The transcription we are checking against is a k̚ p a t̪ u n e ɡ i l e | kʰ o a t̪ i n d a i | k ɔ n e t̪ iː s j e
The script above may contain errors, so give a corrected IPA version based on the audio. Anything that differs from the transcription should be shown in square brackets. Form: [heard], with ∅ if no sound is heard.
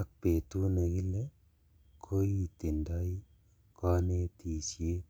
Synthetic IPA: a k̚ p [e] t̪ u n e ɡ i l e | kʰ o [i] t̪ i n d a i | k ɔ n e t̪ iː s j e